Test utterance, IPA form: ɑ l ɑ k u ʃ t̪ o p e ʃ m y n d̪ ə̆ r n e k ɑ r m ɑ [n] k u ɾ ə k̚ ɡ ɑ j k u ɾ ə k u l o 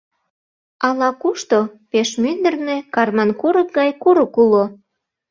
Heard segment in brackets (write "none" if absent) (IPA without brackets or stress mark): n